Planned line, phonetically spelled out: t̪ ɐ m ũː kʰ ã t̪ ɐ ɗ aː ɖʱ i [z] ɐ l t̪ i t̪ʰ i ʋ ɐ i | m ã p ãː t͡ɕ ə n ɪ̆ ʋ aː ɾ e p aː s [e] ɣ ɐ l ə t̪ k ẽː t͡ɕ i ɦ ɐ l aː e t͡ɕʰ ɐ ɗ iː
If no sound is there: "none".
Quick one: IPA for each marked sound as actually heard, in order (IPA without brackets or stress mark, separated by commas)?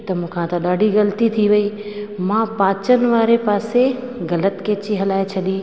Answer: ɣ, e